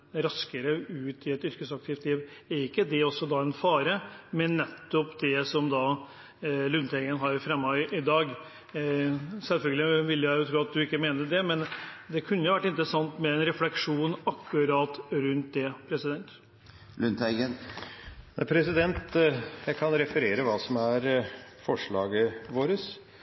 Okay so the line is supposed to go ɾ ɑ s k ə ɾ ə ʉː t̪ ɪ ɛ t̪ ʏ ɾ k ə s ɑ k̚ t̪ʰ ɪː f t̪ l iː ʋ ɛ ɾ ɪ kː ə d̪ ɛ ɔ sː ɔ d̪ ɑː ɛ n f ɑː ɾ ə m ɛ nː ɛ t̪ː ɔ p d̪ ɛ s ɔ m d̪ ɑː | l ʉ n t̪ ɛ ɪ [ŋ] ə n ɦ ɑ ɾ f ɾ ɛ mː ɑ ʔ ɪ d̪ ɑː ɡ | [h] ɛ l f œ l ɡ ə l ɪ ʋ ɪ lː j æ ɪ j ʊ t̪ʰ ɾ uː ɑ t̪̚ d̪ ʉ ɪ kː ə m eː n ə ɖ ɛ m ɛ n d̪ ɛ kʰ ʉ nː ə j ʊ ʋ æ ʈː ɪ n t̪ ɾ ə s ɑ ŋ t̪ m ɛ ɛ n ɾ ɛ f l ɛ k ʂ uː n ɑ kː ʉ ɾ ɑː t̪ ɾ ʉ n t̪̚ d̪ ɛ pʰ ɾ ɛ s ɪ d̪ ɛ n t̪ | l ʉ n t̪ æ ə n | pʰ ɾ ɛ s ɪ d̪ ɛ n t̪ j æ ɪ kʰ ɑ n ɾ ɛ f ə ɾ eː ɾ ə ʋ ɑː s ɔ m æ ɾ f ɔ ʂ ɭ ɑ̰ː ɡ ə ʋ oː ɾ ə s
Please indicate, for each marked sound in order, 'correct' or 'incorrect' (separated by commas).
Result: incorrect, incorrect